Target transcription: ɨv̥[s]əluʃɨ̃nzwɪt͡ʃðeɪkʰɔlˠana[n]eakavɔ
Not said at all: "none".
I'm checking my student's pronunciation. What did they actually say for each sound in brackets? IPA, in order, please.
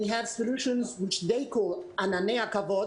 s, n

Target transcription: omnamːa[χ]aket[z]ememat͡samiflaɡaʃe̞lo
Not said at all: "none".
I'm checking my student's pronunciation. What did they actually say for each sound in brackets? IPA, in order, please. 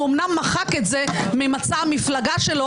χ, z

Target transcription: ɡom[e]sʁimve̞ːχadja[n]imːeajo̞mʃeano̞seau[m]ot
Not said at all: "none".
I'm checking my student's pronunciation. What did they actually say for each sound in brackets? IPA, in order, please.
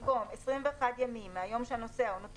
e, m, n

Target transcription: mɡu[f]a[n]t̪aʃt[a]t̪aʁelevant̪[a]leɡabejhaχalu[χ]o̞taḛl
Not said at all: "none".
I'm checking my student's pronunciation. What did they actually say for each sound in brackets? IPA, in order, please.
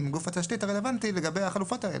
f, none, i, i, f

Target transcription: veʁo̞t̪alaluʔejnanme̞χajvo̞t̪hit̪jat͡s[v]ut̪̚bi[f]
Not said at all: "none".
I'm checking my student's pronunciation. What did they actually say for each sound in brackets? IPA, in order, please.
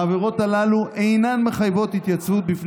v, f

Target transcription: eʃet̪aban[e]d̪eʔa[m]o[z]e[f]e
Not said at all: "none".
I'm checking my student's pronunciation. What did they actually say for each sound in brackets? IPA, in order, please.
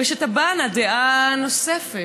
a, n, s, f

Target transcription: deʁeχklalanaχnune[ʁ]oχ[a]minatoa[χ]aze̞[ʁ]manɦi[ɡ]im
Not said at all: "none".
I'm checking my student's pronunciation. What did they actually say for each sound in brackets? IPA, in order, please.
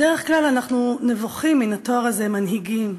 v, i, ʁ, none, ɡ

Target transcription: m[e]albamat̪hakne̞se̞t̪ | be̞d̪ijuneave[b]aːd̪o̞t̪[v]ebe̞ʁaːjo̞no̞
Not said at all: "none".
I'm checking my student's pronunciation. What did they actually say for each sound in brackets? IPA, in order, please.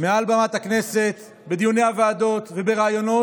e, none, v

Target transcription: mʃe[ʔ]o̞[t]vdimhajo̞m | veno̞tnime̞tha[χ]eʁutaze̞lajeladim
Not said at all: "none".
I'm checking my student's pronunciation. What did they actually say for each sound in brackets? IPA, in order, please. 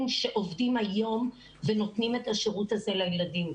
ʔ, none, ʃ

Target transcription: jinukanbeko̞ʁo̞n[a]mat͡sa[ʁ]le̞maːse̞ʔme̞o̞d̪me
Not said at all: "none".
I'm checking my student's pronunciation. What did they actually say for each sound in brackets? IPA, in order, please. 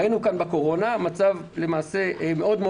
a, v

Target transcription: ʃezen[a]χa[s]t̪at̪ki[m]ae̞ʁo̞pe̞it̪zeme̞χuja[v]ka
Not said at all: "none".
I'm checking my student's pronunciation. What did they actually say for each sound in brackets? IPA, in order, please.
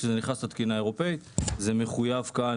i, s, n, v

